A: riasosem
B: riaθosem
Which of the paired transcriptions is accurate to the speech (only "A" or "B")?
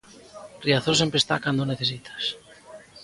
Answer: B